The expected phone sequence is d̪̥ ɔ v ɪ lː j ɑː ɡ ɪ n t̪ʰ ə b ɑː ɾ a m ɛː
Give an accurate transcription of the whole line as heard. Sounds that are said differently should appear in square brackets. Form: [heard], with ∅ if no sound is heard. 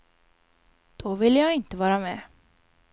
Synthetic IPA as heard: d̪̥ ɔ v ɪ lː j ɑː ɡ ɪ n [t̪] ə [v] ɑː ɾ a m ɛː